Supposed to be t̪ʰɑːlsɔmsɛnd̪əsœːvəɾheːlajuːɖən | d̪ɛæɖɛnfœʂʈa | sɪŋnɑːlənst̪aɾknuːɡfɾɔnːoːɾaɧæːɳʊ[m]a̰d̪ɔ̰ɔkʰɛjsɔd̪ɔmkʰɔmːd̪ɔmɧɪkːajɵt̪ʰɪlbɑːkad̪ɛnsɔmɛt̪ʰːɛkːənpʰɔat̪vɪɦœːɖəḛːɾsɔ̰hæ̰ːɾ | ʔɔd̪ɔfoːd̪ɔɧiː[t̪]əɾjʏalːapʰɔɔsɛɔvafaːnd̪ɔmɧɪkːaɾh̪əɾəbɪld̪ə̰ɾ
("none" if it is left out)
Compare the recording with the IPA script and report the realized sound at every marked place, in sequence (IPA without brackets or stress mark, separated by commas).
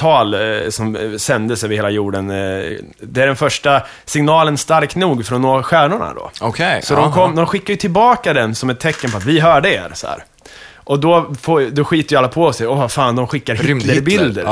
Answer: ɳ, t̪